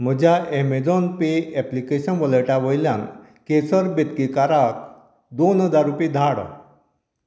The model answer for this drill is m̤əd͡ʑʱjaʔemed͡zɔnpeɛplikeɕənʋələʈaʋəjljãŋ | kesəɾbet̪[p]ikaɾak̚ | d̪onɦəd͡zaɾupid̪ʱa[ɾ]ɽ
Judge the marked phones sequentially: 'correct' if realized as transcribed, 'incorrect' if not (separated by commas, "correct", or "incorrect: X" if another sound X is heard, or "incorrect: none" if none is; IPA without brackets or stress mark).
incorrect: k, incorrect: none